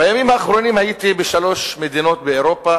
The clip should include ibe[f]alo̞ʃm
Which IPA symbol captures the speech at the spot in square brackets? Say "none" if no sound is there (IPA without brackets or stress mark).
ʃ